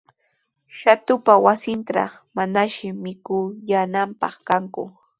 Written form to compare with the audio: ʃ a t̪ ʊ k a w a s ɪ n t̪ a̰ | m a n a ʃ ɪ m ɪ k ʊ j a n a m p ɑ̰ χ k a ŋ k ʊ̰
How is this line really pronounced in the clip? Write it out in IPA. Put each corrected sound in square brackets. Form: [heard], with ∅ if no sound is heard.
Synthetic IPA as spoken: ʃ a t̪ ʊ [p] a w a s ɪ n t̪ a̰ | m a n a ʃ ɪ m ɪ k ʊ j a n a m p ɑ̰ χ k a ŋ k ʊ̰